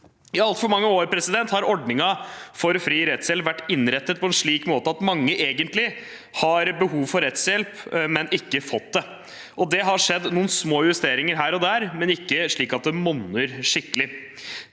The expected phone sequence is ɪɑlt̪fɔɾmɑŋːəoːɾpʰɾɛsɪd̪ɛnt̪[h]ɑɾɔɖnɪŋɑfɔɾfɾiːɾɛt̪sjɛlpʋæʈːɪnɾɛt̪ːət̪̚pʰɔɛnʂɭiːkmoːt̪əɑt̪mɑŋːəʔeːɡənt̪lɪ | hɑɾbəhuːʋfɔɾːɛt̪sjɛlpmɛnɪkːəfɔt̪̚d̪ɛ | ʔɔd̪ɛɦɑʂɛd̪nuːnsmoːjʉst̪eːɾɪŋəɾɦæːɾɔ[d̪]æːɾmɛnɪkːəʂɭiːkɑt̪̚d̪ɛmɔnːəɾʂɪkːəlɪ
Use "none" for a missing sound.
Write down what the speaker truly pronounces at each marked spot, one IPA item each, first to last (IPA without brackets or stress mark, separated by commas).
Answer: h, d̪